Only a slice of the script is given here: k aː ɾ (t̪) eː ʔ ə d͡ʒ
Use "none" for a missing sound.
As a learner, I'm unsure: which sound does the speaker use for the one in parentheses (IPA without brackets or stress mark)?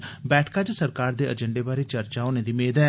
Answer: d̪